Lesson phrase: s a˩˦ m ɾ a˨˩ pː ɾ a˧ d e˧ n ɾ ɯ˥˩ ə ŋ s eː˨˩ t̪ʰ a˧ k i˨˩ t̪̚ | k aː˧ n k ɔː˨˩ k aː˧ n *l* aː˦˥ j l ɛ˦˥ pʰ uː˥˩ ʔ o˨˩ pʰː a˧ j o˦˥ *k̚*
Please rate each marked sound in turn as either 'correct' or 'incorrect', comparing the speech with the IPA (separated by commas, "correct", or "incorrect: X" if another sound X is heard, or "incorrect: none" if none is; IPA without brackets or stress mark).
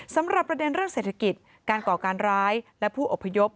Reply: incorrect: ɾ, incorrect: p̚